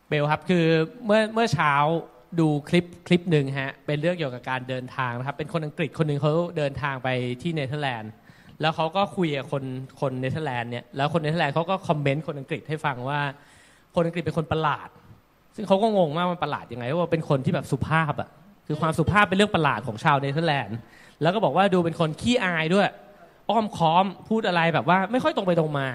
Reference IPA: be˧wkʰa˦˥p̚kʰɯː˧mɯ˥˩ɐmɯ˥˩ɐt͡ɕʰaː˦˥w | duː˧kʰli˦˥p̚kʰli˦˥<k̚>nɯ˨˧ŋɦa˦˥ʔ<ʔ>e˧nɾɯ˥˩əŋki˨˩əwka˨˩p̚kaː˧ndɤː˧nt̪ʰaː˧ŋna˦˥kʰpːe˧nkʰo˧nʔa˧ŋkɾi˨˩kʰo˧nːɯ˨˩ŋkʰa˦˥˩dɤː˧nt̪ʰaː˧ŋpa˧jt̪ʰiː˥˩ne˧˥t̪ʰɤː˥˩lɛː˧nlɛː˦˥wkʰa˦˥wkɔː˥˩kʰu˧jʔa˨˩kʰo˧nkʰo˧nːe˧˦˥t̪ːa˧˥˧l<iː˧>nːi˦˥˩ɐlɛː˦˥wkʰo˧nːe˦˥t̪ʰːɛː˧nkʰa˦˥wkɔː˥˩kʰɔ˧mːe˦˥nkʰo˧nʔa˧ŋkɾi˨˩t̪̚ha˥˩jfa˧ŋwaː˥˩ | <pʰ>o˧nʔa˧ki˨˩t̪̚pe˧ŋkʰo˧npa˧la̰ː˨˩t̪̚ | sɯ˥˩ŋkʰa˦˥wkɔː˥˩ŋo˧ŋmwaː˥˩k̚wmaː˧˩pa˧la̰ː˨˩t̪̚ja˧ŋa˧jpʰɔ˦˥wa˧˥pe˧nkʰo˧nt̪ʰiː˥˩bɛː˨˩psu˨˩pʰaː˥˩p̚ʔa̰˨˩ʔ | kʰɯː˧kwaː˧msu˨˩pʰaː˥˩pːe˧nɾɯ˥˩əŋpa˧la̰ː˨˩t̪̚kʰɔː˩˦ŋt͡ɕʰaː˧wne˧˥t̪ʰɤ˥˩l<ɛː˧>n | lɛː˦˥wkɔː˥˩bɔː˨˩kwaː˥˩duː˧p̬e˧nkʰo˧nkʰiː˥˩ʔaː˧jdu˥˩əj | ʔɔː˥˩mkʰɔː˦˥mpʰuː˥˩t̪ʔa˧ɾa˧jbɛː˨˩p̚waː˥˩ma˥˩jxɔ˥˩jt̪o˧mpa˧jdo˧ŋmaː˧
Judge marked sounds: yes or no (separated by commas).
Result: no, no, no, no, yes